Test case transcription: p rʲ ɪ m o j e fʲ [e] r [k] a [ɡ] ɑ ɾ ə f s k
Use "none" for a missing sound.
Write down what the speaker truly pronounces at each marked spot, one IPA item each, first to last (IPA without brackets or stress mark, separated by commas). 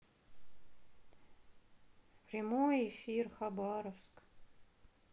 i, x, b